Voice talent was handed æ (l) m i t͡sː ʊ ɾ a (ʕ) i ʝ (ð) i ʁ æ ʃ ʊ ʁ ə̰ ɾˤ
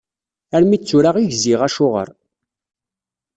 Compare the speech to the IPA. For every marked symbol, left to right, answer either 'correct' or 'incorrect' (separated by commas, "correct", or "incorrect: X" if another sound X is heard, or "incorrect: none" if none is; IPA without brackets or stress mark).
incorrect: ɾ, incorrect: ʁ, incorrect: z